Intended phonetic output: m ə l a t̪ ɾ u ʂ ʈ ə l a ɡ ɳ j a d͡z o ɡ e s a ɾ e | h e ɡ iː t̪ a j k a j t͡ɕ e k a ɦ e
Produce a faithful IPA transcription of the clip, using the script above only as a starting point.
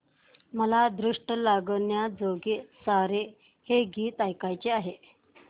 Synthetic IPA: m ə l a d̪ ɾ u ʂ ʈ ə l a ɡ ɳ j a d͡z o ɡ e s a ɾ e | h e ɡ iː t̪ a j k a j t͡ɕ e a ɦ e